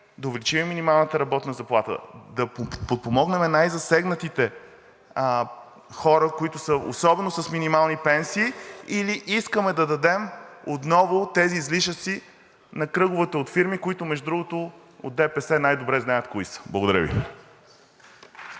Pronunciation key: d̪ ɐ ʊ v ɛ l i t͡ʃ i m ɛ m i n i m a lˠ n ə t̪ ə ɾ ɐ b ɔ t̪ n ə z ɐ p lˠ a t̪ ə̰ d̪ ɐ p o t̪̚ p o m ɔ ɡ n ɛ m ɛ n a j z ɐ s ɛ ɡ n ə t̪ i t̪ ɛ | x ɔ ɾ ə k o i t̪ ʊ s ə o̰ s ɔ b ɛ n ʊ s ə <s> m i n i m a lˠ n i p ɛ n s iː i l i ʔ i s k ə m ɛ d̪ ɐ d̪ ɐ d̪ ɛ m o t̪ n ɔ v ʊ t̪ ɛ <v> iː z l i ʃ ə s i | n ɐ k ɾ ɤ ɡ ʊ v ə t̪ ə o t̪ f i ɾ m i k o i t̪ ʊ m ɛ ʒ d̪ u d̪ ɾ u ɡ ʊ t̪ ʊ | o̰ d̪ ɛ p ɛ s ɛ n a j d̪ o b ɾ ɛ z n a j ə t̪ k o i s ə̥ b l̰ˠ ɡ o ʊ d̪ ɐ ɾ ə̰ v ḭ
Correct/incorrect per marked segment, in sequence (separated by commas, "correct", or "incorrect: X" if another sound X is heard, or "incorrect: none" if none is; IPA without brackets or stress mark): correct, incorrect: z